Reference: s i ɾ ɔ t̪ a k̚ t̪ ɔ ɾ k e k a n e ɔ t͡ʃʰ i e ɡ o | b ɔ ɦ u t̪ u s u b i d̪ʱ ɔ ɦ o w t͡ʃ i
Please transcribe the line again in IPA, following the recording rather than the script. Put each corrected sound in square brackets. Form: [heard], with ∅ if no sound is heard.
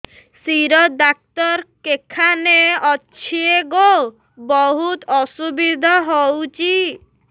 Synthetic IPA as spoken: s i ɾ ɔ [d̪] a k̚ t̪ ɔ ɾ k e [kʰ] a n e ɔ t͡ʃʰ i e ɡ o | b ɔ ɦ u t̪ [ɔ] s u b i d̪ʱ ɔ ɦ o w t͡ʃ i

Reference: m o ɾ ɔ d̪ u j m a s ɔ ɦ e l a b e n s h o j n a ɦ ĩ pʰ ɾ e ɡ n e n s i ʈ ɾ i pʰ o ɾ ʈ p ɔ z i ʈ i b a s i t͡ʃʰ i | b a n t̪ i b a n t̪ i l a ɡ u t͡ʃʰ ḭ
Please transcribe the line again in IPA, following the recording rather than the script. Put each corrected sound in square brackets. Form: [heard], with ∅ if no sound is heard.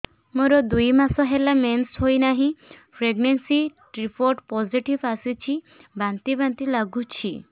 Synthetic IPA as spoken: m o ɾ ɔ d̪ u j m a s ɔ ɦ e l a [m] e n s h o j n a ɦ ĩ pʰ ɾ e ɡ n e n s i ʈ ɾ i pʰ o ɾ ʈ p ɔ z i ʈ i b a s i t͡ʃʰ i | b a n t̪ i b a n t̪ i l a ɡ u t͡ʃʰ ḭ

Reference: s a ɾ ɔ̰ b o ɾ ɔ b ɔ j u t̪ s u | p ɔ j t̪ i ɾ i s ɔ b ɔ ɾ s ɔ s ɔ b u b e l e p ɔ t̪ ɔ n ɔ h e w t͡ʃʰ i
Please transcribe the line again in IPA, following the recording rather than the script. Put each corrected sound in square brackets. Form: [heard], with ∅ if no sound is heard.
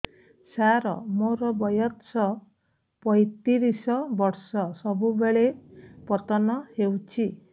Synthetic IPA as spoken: s a ɾ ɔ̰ [m] o ɾ ɔ b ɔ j [ɔ] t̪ s [ɔ] | p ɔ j t̪ i ɾ i s ɔ b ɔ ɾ s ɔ s ɔ b u b e [ɭ] e p ɔ t̪ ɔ n ɔ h e w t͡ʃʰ i

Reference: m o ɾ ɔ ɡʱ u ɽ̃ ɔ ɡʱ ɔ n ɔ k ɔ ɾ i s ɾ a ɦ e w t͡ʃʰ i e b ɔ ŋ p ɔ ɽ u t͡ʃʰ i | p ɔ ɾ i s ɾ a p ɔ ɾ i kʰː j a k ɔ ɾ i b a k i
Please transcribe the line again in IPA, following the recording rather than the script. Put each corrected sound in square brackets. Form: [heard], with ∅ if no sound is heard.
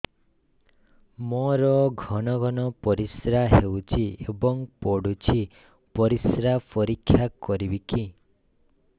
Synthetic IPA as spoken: m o ɾ ɔ ɡʱ [ɔ] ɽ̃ ɔ ɡʱ ɔ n ɔ [p] ɔ ɾ i s ɾ a ɦ e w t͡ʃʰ i e b ɔ ŋ p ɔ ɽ u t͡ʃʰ i | p ɔ ɾ i s ɾ a p ɔ ɾ i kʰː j a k ɔ ɾ i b [i] k i

